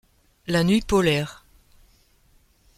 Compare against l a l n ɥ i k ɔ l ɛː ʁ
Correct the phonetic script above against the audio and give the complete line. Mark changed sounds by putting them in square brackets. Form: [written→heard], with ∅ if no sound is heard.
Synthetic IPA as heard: l a [l→∅] n ɥ i [k→p] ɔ l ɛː ʁ